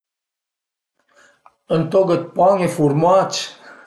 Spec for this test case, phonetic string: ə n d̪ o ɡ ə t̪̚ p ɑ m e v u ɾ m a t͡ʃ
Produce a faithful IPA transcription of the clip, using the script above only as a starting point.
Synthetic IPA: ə n t̪ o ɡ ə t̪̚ p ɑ ŋ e f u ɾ m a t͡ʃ